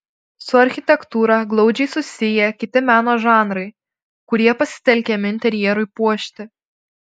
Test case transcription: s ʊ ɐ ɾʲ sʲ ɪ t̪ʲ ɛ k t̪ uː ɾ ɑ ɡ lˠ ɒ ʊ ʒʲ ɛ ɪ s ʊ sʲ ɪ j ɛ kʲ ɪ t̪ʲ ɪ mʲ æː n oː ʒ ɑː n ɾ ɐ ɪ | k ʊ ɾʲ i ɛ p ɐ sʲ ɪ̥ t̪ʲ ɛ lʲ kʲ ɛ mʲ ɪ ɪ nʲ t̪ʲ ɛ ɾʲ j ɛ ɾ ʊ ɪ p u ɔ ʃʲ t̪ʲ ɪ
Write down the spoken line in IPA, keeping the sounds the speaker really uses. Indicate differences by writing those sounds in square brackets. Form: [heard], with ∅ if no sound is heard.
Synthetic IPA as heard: s ʊ ɐ ɾʲ [xʲ] ɪ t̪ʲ ɛ k t̪ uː ɾ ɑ ɡ lˠ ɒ ʊ [d͡ʒʲ] ɛ ɪ s ʊ sʲ ɪ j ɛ kʲ ɪ t̪ʲ ɪ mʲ æː n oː ʒ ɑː n ɾ ɐ ɪ | k ʊ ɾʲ i ɛ p ɐ sʲ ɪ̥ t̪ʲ ɛ lʲ kʲ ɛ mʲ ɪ ɪ nʲ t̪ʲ ɛ ɾʲ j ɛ ɾ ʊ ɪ p u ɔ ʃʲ t̪ʲ ɪ